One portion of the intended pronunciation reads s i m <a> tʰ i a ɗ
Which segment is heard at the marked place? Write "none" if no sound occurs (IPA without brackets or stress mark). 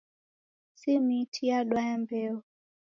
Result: i